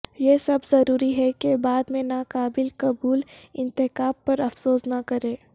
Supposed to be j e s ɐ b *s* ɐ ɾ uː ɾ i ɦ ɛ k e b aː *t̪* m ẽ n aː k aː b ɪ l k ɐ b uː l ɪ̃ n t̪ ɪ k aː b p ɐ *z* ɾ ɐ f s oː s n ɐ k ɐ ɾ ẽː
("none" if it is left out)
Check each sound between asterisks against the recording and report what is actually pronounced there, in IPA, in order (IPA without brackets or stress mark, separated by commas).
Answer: z, d̪, none